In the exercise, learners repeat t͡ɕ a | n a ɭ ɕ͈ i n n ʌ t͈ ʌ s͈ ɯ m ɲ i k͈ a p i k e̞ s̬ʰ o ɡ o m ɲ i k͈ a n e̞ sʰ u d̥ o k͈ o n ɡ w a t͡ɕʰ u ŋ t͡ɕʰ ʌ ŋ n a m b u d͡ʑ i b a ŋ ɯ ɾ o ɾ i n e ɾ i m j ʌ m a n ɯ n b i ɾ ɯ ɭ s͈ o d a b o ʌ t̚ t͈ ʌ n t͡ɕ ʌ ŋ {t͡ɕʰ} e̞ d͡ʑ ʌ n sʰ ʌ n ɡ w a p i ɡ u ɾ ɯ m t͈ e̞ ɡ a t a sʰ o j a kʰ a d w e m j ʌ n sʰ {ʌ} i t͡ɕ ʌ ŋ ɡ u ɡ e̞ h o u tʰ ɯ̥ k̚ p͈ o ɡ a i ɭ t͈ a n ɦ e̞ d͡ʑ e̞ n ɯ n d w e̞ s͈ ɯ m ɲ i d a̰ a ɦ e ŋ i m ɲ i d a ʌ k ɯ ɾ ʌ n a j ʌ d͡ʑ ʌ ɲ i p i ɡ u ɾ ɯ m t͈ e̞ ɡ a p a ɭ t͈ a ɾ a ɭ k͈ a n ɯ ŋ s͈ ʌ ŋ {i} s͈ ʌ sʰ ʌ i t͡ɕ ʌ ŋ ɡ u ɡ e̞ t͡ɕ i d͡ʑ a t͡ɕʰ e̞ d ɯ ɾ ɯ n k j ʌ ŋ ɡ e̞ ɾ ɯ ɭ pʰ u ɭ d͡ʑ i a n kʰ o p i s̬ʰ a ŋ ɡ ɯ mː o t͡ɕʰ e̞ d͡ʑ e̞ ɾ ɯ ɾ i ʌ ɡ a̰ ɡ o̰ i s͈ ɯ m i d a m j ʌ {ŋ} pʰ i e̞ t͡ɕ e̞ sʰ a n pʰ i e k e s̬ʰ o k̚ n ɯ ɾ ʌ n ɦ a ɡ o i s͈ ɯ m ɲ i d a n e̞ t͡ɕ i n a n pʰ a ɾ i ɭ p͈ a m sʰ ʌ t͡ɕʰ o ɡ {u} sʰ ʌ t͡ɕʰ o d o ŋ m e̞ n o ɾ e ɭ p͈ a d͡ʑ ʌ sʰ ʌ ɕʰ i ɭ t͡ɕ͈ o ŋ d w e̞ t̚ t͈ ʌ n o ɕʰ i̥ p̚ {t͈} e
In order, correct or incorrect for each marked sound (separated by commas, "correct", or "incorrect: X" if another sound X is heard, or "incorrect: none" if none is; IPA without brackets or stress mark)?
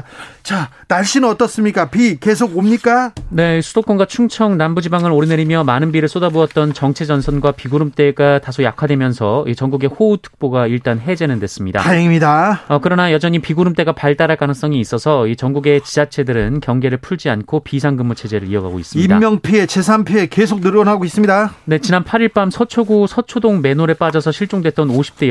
correct, correct, incorrect: iː, correct, correct, correct